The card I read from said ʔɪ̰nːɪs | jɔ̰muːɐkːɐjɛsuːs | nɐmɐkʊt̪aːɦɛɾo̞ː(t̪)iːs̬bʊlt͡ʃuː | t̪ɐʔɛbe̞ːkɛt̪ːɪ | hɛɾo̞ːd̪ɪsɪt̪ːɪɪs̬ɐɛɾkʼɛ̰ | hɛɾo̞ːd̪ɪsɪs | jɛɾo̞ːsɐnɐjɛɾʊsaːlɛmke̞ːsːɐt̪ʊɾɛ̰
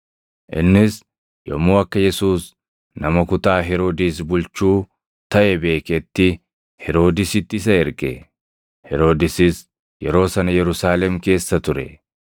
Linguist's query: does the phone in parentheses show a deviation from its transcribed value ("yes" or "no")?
yes